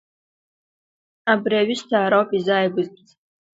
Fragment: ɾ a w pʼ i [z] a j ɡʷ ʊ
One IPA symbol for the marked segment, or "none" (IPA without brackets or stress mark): z